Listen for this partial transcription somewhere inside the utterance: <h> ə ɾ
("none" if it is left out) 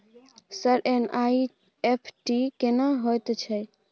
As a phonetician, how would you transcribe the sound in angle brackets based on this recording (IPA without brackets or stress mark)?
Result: s